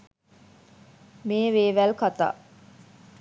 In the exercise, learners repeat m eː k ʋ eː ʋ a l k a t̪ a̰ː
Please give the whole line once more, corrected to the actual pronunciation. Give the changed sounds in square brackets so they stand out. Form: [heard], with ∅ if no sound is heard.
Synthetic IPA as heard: m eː [∅] ʋ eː ʋ [æ] l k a t̪ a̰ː